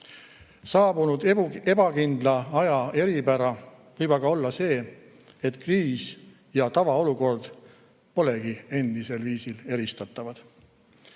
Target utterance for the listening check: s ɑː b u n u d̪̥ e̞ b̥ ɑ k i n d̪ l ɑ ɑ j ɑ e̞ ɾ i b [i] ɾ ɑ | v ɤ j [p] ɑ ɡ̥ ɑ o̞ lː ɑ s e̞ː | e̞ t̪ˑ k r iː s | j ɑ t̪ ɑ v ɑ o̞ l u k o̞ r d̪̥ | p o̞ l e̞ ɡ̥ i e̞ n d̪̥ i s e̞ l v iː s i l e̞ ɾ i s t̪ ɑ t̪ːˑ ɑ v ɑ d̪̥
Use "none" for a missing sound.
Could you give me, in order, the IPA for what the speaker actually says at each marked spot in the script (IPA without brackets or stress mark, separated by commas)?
æ, b